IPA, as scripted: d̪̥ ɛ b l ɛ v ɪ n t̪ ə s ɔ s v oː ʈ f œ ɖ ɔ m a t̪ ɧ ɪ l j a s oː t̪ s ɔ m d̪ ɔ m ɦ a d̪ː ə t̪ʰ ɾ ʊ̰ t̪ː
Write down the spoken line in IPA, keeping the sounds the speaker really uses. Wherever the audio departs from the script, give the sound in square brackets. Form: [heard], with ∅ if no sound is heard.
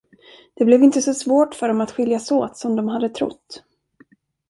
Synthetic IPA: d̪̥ ɛ b l ɛ v ɪ n t̪ ə s ɔ s v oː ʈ f œ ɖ ɔ m a t̪ ɧ ɪ l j a s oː t̪ s ɔ m d̪ ɔ m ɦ a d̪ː ə t̪ʰ ɾ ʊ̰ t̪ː